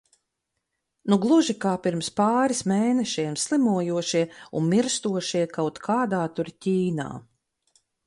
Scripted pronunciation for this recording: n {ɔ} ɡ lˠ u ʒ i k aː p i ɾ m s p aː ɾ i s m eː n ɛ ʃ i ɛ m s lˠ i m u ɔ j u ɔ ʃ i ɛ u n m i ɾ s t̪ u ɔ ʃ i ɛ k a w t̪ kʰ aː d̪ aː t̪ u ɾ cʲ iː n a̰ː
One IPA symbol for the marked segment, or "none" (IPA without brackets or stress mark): u